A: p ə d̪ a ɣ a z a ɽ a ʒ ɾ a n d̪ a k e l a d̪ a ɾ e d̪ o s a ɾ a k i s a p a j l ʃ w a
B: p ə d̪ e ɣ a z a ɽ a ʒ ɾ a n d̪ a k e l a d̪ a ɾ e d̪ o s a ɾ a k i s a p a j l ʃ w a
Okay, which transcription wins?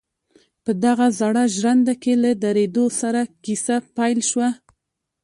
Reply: A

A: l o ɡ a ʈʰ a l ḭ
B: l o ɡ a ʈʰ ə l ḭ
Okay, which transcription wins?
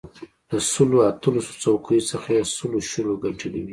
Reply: B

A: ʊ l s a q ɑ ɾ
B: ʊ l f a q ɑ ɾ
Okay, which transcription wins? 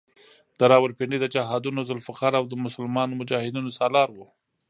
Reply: B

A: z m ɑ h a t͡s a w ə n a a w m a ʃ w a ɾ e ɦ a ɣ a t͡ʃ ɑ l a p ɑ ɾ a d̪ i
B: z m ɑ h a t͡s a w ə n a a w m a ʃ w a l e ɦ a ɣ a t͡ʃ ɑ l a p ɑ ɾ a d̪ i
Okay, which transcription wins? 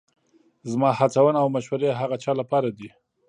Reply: A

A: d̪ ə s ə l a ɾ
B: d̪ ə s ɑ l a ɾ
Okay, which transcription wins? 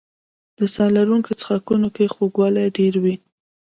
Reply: B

